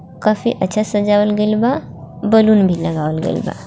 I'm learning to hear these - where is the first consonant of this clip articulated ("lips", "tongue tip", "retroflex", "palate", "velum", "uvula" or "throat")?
velum